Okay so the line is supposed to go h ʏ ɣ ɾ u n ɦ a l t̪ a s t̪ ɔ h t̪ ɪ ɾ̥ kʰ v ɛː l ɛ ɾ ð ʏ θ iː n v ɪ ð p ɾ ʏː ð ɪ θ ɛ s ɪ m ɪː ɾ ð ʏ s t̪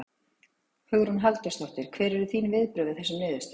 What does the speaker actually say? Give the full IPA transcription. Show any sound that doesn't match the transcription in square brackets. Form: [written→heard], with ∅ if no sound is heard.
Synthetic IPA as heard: h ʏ ɣ ɾ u n ɦ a l t̪ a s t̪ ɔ h t̪ ɪ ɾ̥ kʰ v ɛː [l→ɾ] ɛ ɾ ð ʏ θ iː n v ɪ ð p ɾ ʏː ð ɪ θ ɛ s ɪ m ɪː [ɾ→∅] ð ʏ s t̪